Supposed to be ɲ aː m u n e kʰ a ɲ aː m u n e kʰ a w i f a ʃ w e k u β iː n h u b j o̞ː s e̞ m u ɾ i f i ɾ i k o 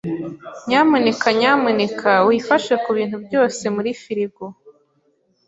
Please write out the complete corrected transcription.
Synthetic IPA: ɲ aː m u n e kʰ a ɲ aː m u n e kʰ a w i f a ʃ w e k u β iː n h u b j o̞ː s e̞ m u ɾ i f i ɾ i ɡ o